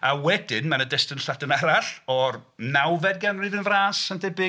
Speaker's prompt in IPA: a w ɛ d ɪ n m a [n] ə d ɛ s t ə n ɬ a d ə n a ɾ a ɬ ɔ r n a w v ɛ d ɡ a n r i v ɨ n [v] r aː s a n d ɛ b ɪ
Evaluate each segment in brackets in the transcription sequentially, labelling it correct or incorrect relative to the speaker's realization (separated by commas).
correct, correct